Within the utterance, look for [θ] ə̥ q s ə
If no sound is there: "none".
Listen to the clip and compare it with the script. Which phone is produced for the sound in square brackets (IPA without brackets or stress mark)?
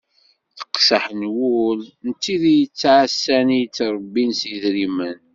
θ